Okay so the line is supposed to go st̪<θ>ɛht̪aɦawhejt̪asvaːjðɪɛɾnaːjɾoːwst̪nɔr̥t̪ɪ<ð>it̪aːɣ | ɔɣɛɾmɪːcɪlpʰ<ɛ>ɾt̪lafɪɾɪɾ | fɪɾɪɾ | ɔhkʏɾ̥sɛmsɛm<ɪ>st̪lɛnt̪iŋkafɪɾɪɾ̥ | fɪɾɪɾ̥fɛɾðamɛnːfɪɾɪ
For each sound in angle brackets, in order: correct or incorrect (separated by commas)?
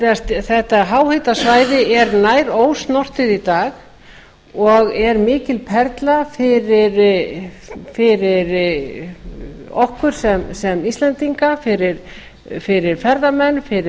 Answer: correct, correct, correct, incorrect